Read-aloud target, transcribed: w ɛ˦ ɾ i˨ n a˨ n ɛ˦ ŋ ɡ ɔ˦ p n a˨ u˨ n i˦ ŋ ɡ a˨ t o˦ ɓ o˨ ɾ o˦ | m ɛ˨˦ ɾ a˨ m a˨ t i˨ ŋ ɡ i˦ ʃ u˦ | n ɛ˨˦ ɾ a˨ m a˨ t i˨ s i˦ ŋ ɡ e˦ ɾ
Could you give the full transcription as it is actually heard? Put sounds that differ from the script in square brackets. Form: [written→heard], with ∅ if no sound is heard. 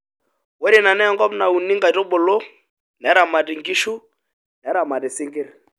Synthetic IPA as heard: w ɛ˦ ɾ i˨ n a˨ n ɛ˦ ŋ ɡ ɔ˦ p n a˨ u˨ n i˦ ŋ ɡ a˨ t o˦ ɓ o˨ [ɾ→l] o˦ | [m→n] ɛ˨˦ ɾ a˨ m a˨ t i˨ ŋ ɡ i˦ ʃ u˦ | n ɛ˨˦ ɾ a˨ m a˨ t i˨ s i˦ ŋ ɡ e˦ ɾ

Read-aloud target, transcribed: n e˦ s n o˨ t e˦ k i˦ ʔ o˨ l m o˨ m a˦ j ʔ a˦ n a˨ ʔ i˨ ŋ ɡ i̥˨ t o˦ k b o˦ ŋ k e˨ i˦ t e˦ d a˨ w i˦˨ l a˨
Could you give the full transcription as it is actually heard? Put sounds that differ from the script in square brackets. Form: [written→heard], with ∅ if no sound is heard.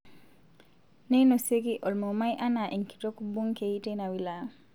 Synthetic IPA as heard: n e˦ [s→∅] n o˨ [t→s] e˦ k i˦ ʔ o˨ l m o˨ m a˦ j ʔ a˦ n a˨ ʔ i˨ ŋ [ɡ→k] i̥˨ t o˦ k b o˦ ŋ k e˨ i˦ t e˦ [d→n] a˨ w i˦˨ l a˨

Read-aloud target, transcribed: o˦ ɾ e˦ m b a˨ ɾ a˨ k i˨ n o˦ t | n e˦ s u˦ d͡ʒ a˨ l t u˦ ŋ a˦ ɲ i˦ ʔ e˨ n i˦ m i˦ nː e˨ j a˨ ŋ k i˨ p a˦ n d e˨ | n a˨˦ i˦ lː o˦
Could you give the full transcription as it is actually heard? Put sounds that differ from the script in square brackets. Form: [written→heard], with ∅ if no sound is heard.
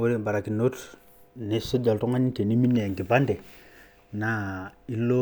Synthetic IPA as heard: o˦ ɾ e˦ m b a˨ ɾ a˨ k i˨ n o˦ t | n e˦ s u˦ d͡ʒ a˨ l t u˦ ŋ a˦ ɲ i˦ [ʔ→t] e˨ n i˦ m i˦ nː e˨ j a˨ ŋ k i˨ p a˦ n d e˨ | n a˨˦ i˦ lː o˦

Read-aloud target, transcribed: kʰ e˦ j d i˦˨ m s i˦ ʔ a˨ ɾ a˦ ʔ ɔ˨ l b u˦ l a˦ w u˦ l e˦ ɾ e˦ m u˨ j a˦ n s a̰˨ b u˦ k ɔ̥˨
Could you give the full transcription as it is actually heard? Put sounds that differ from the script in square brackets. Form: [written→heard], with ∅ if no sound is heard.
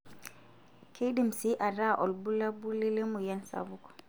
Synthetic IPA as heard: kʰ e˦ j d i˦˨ m s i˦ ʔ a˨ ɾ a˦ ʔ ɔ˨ l b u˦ l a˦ [w→b] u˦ l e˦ [ɾ→l] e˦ m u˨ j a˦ n s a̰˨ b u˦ k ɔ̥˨

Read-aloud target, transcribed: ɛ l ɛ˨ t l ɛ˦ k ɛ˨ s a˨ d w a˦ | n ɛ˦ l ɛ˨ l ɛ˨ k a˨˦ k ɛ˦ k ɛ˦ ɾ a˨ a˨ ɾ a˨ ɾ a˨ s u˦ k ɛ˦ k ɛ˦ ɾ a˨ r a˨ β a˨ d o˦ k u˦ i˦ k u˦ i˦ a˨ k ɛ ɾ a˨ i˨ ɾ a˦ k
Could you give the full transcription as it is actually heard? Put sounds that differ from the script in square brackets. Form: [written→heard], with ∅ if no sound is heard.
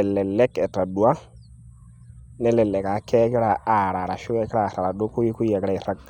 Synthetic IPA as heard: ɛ l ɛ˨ [t→∅] l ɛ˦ k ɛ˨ [s→t] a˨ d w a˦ | n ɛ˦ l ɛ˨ l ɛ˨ k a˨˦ k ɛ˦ k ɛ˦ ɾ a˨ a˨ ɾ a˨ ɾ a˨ [s→ʃ] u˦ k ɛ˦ k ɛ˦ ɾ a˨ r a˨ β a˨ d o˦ k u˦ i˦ k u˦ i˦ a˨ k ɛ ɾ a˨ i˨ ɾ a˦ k

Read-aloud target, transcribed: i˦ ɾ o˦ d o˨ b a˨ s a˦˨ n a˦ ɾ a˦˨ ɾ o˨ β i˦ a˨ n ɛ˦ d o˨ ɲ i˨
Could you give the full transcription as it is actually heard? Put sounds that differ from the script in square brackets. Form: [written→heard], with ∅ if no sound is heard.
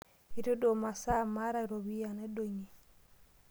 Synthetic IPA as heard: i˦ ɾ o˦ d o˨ [b→m] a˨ s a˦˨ [n→m] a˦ ɾ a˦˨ ɾ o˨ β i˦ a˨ n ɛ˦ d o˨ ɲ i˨

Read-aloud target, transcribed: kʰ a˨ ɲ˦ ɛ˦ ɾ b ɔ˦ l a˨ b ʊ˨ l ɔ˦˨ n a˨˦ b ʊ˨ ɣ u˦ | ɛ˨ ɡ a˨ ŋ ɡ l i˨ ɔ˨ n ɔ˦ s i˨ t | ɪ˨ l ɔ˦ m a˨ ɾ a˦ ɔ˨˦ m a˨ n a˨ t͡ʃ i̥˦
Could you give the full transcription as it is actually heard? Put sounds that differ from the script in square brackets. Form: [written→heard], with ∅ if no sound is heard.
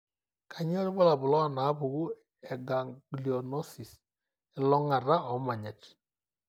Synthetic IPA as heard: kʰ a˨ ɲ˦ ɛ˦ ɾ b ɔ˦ l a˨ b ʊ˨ l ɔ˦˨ n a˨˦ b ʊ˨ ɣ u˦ | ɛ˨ ɡ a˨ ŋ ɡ l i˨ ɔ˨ n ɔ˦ s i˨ [t→s] | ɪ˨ l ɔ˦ [m→ŋ] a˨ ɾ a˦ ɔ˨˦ m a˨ [n→ɲ] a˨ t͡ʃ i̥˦

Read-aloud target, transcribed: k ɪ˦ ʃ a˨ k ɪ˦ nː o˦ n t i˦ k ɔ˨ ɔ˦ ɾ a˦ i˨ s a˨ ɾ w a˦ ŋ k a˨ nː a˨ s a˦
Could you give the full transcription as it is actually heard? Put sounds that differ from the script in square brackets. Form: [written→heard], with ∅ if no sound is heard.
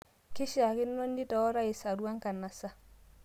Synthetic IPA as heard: k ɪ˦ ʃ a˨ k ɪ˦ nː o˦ n [t→d] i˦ [k→t] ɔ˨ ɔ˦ ɾ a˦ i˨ s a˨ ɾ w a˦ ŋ k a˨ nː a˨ s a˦

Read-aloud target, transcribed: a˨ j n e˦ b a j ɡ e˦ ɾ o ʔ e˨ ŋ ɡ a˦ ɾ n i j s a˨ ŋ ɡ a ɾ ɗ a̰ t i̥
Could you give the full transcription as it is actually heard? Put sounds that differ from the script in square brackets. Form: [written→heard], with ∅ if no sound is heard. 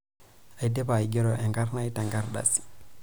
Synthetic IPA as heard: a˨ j [n→d] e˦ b a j ɡ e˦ ɾ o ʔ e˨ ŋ ɡ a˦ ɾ n [i→a] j [s→t] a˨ ŋ ɡ a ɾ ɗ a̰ [t→s] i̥

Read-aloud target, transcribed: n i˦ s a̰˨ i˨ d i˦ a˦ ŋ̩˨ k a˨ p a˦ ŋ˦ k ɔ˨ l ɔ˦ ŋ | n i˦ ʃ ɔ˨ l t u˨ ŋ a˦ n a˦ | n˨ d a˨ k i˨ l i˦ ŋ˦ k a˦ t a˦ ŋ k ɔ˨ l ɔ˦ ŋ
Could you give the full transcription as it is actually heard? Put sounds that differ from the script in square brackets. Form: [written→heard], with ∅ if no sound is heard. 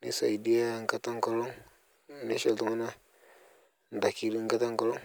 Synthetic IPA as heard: n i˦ s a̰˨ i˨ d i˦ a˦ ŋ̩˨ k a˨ [p→t] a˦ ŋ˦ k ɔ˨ l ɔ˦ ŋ | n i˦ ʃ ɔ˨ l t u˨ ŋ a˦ n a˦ | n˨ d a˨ k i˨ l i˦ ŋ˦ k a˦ t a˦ ŋ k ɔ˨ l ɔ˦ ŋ

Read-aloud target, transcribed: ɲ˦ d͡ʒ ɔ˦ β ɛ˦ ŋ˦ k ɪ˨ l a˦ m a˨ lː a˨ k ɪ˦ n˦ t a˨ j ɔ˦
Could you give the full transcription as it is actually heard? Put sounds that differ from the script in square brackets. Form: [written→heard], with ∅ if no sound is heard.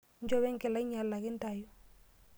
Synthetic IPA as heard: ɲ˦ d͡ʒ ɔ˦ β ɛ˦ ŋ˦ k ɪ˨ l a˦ [m→ɲ] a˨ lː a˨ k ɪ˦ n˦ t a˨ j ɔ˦

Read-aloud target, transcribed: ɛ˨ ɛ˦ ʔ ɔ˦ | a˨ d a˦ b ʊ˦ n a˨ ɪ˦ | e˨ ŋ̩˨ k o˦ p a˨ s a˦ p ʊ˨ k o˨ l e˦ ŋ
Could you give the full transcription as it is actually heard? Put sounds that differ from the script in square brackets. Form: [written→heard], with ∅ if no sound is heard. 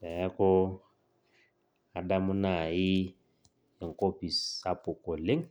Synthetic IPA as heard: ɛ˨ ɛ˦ [ʔ→k] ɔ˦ | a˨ d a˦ [b→m] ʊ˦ n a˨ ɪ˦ | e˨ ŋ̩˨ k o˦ p [a˨→i˨] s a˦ p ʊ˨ k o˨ l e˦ ŋ

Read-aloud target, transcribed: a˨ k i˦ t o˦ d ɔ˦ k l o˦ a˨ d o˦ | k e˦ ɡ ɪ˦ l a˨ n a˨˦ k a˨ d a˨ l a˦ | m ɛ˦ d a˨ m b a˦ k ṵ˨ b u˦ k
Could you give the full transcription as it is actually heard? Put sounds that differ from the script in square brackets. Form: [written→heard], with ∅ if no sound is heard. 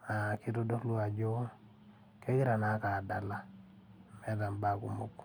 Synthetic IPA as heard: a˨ k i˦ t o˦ d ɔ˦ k l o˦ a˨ [d→d͡ʒ] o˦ | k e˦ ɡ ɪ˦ [l→ɾ] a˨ n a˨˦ k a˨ d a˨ l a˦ | m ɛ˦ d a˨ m b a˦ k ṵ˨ [b→m] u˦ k

